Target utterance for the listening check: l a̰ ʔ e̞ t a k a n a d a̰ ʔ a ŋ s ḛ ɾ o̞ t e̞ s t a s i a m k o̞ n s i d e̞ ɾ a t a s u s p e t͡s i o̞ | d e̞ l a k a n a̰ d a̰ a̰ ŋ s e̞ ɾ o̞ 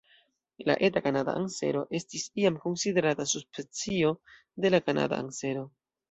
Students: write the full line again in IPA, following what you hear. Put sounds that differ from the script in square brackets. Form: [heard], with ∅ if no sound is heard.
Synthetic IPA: l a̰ ʔ e̞ t a k a n a d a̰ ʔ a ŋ s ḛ ɾ o̞ [ʔ] e̞ s t [i] s i a m k o̞ n s i d e̞ ɾ a t a s u s p e t͡s i o̞ | d e̞ l a k a n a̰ d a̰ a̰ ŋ s e̞ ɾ o̞

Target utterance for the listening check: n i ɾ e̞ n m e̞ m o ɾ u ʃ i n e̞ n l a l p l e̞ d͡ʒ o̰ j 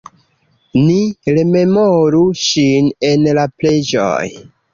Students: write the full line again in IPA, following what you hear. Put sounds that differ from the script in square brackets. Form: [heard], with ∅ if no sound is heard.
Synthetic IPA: n i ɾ e̞ [∅] m e̞ m o ɾ u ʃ i n e̞ n l a [∅] p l e̞ d͡ʒ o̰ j

